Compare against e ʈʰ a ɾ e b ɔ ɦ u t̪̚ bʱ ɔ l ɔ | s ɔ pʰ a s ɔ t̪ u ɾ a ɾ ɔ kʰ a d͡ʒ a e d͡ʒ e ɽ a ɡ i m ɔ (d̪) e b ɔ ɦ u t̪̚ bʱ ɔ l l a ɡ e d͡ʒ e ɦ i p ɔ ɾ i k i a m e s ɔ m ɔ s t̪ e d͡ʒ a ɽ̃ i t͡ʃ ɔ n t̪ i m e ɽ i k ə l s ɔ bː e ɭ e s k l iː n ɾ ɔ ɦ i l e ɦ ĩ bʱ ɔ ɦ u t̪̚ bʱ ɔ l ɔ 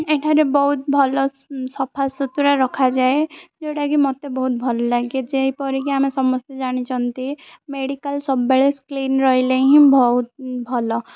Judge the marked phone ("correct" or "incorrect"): incorrect